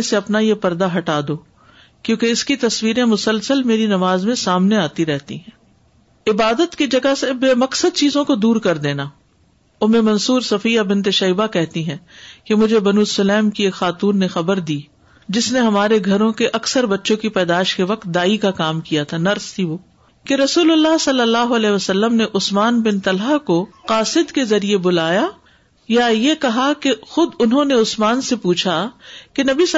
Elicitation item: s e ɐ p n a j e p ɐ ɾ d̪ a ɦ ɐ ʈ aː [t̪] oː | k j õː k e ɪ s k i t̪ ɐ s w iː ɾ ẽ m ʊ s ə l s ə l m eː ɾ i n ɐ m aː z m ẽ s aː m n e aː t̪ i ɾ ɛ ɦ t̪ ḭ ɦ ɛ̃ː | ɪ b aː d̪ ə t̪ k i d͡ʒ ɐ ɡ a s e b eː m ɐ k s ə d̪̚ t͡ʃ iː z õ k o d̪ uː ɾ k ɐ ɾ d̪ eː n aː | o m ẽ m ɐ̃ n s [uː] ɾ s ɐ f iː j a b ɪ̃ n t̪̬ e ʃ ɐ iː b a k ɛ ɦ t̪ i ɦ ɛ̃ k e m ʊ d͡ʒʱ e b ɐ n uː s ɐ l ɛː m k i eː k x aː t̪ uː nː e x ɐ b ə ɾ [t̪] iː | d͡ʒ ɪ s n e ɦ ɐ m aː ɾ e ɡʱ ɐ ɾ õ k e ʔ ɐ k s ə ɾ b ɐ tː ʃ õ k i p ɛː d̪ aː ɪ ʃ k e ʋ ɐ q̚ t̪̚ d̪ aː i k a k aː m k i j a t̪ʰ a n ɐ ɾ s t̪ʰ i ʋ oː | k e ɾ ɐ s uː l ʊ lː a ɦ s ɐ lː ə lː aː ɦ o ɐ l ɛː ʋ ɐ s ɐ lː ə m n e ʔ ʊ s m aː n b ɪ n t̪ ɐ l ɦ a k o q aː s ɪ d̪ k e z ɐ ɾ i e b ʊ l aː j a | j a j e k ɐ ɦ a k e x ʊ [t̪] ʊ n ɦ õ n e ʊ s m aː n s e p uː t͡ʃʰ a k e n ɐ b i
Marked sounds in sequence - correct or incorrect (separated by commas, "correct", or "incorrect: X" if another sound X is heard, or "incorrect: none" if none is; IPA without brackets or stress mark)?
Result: incorrect: d̪, correct, incorrect: d̪, incorrect: d̪